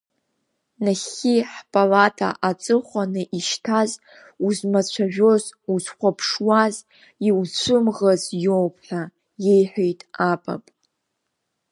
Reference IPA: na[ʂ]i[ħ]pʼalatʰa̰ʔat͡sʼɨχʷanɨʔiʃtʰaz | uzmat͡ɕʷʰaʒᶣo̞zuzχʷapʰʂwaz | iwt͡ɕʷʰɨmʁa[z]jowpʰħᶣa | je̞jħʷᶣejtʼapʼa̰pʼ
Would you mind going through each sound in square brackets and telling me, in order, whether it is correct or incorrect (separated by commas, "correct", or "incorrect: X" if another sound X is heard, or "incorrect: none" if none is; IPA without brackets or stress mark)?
incorrect: χ, correct, correct